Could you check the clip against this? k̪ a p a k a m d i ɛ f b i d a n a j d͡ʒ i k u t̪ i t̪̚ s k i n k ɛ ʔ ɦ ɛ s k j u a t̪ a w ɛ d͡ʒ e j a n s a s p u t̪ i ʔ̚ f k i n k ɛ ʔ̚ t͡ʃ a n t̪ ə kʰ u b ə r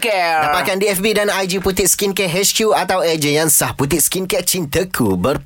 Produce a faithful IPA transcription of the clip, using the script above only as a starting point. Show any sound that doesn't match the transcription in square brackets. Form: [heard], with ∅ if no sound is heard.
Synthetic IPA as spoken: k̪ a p a k a [n] d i ɛ f b i d a n a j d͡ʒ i [p] u t̪ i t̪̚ s k i n k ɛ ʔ ɦ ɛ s k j u a t̪ a w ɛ d͡ʒ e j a n s a [h] p u t̪ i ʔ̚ [s] k i n k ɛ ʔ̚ t͡ʃ [i] n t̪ ə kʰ u b ə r